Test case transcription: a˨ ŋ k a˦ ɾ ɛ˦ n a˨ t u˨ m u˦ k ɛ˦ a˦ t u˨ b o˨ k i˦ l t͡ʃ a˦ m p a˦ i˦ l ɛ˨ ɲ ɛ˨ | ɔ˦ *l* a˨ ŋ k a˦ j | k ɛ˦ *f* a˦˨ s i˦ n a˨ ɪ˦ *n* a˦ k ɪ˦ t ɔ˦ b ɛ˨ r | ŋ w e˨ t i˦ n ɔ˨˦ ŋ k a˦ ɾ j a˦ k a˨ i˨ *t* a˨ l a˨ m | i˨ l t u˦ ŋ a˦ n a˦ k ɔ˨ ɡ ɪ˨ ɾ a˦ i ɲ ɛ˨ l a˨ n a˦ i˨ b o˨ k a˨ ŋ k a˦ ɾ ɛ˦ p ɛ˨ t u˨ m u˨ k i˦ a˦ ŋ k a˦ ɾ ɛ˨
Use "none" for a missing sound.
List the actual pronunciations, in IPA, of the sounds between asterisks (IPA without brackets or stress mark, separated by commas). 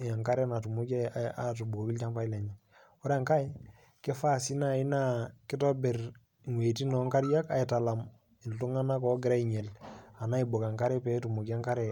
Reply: ɾ, f, n, t